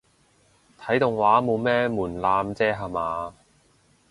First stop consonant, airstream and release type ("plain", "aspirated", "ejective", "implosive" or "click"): aspirated